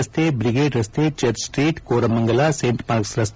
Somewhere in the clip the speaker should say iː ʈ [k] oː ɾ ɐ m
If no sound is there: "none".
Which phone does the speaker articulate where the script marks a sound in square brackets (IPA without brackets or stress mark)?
k